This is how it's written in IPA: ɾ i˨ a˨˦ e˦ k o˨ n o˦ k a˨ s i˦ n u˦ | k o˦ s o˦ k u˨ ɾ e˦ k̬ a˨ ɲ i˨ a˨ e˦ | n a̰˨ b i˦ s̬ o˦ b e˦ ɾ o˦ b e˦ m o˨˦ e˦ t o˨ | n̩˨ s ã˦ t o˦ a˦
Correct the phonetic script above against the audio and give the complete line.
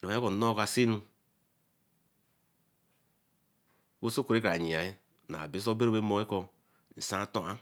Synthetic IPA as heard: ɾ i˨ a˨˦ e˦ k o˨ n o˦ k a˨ s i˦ n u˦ | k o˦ s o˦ k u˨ ɾ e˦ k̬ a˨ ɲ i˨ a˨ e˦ | n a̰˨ b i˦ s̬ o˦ b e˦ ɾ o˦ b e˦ m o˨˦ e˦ k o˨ | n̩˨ s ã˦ t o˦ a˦